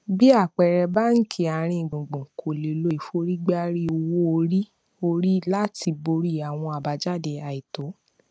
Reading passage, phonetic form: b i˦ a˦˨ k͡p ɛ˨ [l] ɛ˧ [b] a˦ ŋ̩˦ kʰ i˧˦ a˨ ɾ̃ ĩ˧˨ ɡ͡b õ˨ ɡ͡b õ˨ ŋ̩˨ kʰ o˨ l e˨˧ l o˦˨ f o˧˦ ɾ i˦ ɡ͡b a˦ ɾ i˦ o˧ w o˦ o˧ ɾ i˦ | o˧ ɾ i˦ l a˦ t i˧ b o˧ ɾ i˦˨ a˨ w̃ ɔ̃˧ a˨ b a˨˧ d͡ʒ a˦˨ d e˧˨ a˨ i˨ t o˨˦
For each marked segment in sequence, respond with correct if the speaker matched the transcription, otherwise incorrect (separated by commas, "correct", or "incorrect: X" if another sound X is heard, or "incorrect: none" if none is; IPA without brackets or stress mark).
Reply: incorrect: ɾ, correct